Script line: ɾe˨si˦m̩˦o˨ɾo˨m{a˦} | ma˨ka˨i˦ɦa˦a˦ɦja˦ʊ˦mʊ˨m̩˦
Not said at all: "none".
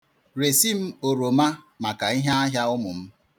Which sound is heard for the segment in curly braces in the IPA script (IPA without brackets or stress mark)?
a˦